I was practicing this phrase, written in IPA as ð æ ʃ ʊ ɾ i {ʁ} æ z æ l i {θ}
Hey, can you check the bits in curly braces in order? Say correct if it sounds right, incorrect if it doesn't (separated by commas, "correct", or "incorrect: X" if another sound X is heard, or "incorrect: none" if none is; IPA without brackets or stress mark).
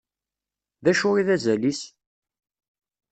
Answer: incorrect: ð, incorrect: s